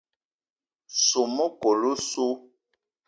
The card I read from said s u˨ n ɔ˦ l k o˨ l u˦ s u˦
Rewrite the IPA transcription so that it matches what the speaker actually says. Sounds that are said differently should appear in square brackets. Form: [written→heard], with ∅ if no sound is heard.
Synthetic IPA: s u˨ [n→m] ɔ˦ [l→∅] k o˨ l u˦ s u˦